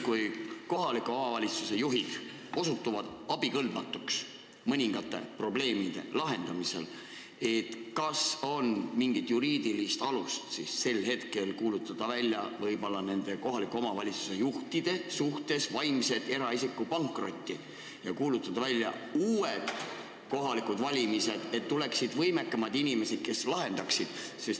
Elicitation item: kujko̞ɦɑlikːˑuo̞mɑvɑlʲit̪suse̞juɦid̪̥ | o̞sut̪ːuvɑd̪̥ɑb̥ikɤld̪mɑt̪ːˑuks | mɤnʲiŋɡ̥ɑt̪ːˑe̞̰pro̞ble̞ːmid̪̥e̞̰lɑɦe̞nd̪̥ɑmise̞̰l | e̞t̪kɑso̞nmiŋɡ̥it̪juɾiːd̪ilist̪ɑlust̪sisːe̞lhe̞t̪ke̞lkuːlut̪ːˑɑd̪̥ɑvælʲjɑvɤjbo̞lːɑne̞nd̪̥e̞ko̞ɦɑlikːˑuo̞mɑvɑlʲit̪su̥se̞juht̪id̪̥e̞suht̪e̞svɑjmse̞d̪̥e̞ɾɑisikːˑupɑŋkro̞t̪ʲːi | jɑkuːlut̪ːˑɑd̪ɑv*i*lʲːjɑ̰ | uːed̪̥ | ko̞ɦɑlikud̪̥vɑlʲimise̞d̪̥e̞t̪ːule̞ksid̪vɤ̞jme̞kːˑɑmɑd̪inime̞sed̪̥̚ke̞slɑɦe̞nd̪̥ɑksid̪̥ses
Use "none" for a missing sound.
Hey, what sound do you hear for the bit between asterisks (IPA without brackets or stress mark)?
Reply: æ